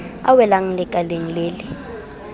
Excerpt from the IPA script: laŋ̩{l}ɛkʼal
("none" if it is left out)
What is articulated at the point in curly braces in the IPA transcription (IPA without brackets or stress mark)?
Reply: l